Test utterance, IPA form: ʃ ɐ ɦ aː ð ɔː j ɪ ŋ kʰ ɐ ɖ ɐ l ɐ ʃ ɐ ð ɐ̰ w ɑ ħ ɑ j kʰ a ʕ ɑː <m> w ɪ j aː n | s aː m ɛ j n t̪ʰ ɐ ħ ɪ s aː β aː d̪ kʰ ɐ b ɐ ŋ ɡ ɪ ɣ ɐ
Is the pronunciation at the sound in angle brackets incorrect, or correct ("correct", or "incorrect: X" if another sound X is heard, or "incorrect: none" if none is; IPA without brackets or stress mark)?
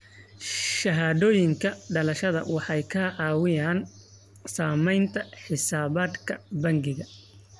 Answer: incorrect: none